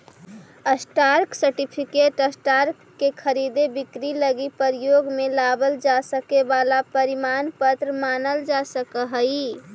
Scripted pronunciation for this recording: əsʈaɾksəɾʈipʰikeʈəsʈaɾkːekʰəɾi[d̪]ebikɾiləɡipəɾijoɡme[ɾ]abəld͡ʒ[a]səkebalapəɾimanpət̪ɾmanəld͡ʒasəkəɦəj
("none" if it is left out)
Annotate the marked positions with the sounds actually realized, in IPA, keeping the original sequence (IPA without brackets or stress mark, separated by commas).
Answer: d̪, l, a